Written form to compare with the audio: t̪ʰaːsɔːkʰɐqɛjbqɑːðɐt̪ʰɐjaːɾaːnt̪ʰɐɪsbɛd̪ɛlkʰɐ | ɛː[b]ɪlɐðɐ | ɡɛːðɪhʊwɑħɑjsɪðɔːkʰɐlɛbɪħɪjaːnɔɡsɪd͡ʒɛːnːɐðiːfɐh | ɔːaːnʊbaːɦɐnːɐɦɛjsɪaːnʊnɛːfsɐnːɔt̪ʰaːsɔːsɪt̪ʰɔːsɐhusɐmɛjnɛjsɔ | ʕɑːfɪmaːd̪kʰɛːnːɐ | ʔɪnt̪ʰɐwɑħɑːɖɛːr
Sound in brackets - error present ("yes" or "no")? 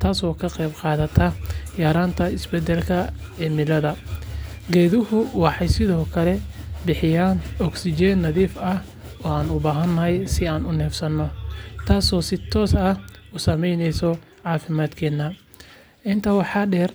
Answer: yes